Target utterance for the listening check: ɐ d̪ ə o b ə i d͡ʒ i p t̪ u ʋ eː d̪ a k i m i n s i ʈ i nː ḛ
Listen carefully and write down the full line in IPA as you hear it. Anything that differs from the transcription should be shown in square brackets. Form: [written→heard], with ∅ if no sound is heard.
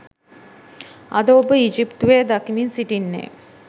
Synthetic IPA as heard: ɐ d̪ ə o b ə i d͡ʒ i p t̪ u ʋ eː d̪ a k i m i n s i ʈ i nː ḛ